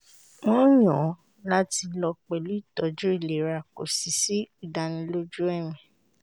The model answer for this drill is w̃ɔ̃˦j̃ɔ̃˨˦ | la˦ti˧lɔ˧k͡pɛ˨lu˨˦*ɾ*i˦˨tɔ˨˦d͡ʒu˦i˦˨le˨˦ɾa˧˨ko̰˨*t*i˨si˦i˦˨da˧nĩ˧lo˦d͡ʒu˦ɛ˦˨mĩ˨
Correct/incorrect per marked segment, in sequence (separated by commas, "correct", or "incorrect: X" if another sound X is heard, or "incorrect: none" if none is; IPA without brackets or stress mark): incorrect: none, incorrect: s